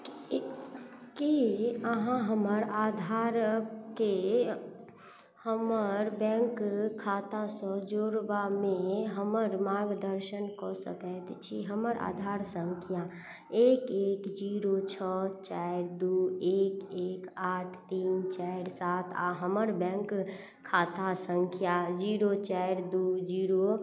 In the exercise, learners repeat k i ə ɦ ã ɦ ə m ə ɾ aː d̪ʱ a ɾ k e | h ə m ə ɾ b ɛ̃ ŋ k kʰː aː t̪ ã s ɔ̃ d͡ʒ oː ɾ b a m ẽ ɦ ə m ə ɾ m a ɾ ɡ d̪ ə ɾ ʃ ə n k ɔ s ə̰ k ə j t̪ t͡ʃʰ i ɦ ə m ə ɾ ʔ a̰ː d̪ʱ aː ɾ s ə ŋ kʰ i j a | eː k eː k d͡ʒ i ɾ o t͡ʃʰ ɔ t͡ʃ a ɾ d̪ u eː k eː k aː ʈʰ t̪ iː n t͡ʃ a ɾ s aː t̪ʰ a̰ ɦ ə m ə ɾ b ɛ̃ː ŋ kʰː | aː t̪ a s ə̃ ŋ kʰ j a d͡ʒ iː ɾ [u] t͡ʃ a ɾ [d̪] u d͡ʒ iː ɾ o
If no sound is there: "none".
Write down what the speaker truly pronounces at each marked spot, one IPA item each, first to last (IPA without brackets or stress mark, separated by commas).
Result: o, d̪